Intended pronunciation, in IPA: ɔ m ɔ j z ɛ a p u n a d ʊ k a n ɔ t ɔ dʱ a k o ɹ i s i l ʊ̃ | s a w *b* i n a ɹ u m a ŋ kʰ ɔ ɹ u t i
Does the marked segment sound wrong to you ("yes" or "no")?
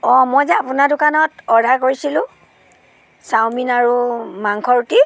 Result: yes